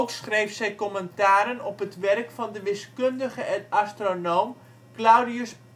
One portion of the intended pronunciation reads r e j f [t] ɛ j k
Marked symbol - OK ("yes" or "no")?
no